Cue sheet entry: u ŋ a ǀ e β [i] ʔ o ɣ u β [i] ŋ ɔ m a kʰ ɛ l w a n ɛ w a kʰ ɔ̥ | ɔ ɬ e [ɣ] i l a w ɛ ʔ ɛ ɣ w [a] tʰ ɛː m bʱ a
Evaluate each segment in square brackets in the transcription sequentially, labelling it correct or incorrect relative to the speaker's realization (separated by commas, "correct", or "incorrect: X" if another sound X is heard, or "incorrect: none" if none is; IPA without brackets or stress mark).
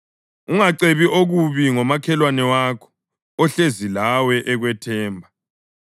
correct, correct, incorrect: z, incorrect: ɛ